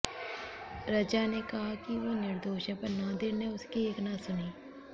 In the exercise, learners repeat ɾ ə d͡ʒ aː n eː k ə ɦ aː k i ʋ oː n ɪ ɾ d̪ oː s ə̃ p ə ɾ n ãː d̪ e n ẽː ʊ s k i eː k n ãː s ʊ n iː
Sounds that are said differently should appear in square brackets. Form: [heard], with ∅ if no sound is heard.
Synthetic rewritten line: ɾ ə d͡ʒ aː n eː k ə ɦ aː k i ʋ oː n ɪ ɾ d̪ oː [ʃ] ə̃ p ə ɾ n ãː d̪ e n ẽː ʊ s k i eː k n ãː s ʊ n iː

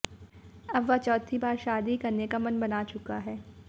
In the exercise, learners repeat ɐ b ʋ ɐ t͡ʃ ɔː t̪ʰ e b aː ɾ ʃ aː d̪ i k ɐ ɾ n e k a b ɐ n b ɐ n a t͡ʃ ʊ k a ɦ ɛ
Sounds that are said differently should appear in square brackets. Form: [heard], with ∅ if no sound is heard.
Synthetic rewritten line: ɐ b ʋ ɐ t͡ʃ ɔː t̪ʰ [i] b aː ɾ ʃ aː d̪ i k ɐ ɾ n e k a [m] ɐ n b ɐ n a t͡ʃ ʊ k a ɦ [ɛː]

